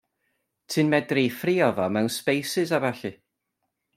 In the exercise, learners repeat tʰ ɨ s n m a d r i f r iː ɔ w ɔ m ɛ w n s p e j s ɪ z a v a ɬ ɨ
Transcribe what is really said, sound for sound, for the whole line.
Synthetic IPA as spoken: tʰ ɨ n m ɛ d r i f r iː ɔ v ɔ m ɛ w n s p e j s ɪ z a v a ɬ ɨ

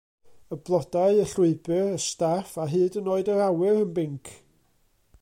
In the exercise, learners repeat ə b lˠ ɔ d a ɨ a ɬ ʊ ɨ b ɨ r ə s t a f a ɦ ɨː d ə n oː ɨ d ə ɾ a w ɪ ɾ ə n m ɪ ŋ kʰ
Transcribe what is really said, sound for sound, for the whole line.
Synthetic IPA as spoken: ə b lˠ ɔ d a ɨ ə ɬ ʊ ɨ b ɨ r ə s t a f a ɦ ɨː d ə n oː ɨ d ə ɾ a w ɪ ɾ ə n b ɪ ŋ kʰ

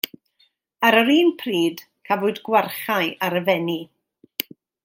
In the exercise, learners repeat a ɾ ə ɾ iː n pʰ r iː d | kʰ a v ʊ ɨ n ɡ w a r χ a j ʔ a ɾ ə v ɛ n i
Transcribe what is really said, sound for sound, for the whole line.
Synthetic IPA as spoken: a ɾ ə ɾ iː n pʰ r iː d | kʰ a v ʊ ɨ d ɡ w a r χ a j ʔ a ɾ ə v ɛ n i

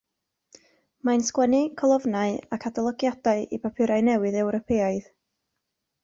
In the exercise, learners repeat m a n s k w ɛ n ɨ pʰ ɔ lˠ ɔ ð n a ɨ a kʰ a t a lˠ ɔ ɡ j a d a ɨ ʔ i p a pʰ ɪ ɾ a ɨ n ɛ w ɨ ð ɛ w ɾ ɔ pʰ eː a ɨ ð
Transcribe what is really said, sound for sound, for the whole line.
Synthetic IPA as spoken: m a n s k w ɛ n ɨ kʰ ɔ lˠ ɔ v n a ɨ a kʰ a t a lˠ ɔ ɡ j a d a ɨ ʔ i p a pʰ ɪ ɾ a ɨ n ɛ w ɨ ð ɛ w ɾ ɔ pʰ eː a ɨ ð

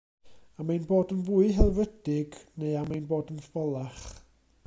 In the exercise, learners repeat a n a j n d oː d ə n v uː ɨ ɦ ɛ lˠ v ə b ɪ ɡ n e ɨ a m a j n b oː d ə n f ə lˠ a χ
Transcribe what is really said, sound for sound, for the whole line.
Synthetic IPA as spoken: a m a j n b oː d ə n v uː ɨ ɦ ɛ lˠ v ə d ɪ ɡ n e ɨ a m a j n b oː d ə n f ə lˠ a χ

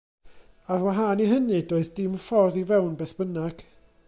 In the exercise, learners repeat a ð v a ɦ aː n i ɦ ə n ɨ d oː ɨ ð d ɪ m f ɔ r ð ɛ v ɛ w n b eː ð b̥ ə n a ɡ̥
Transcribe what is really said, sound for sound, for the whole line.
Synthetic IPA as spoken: a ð w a ɦ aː n i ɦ ə n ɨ d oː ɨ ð d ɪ m f ɔ r ð i v ɛ w n b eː θ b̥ ə n a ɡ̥

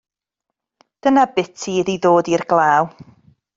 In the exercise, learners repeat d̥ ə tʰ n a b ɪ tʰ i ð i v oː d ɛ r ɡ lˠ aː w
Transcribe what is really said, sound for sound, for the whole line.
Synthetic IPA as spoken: d̥ ə n a b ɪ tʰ i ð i ð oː d i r ɡ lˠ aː w

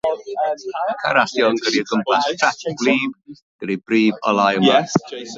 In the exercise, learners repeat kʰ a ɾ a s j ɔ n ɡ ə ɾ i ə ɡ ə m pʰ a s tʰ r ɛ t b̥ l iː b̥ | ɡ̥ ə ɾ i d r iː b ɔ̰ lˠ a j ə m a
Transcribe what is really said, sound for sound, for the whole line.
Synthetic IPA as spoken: kʰ a ɾ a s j ɔ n ɡ ə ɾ i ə ɡ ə m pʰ a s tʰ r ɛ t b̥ l iː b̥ | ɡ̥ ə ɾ i b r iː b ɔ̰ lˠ a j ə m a

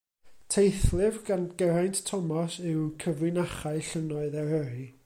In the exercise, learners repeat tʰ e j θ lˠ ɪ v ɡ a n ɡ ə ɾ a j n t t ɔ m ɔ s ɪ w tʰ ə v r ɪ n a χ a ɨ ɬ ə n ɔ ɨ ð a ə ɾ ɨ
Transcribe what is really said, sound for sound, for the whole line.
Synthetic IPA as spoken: tʰ e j θ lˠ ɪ v ɡ a n ɡ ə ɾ a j n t tʰ ɔ m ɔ s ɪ w kʰ ə v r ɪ n a χ a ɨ ɬ ə n ɔ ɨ ð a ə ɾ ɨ

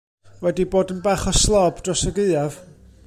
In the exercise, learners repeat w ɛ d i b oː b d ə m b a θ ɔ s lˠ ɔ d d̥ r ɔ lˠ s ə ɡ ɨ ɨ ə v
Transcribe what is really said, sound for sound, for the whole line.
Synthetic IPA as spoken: w ɛ d i b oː d ə n b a χ ɔ s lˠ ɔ b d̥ r ɔ s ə ɡ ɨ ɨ a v

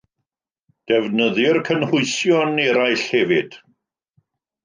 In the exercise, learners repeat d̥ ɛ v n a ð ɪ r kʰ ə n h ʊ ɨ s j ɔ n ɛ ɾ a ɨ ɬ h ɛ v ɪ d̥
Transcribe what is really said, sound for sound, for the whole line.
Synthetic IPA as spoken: d̥ ɛ v n ə ð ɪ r kʰ ə n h ʊ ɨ s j ɔ n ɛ ɾ a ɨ ɬ h ɛ v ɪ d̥

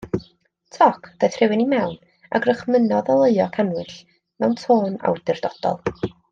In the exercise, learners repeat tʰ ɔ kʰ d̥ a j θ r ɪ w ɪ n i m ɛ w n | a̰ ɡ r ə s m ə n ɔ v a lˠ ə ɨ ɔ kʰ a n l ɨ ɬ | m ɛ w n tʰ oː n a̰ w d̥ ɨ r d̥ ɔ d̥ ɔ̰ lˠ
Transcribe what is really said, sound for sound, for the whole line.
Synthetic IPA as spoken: tʰ ɔ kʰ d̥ a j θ r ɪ w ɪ n i m ɛ w n | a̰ ɡ r ə χ m ə n ɔ ð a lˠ ə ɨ ɔ kʰ a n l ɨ ɬ | m ɛ w n tʰ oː n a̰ w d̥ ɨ r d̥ ɔ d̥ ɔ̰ lˠ

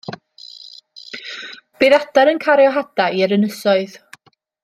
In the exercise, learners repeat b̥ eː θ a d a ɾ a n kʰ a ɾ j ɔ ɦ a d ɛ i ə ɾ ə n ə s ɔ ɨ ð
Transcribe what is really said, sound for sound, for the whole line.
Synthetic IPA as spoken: b̥ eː ð a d a ɾ ə n kʰ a ɾ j ɔ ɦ a d a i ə ɾ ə n ə s ɔ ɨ ð

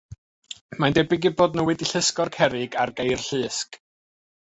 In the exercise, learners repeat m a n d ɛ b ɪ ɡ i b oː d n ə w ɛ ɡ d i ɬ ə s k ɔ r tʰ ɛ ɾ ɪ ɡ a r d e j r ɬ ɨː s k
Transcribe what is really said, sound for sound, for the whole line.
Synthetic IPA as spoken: m a n d ɛ b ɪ ɡ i b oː d n ə w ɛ d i ɬ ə s k ɔ r kʰ ɛ ɾ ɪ ɡ a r ɡ e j r ɬ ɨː s k

